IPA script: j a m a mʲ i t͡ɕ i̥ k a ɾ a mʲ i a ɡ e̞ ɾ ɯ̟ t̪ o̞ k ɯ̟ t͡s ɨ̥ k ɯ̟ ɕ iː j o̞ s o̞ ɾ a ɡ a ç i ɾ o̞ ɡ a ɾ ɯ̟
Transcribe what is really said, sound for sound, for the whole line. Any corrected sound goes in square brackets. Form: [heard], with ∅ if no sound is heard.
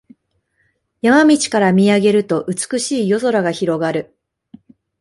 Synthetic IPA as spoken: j a m a mʲ i t͡ɕ i̥ k a ɾ a mʲ i a ɡ e̞ ɾ ɯ̟ t̪ o̞ [ʔ] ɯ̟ t͡s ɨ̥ k ɯ̟ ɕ iː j o̞ [z] o̞ ɾ a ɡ a ç i ɾ o̞ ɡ a ɾ ɯ̟